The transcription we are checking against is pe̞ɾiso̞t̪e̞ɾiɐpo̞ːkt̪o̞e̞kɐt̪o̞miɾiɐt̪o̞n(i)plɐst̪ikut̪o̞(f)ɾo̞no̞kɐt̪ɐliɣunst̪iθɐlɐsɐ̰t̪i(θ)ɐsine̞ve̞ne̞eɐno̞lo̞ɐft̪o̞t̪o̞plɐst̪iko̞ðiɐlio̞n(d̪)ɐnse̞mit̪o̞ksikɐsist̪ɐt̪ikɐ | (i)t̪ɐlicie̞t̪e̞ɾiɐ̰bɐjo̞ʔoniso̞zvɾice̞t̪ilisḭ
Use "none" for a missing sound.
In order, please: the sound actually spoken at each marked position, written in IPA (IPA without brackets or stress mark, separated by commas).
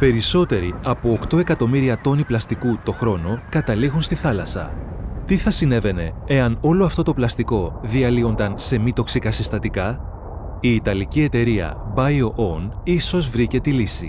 i, x, θ, d̪, iː